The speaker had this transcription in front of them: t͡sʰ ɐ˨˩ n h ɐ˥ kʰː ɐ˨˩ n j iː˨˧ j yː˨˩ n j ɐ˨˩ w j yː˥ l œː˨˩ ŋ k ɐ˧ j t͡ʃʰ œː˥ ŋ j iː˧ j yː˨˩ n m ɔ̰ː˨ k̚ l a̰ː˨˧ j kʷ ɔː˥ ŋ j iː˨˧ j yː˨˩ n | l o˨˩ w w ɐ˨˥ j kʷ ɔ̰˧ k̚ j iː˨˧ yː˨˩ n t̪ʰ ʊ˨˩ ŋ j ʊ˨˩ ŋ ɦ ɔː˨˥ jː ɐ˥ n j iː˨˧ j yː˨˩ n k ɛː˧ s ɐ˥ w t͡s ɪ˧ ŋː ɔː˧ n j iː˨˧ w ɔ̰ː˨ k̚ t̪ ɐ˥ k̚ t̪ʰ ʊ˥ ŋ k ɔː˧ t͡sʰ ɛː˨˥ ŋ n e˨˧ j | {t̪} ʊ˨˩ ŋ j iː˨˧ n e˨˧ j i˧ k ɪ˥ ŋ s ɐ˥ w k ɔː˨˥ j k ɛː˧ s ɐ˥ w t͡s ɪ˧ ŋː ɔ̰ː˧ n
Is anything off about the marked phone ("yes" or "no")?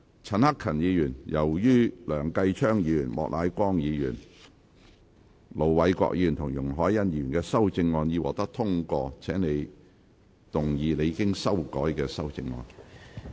no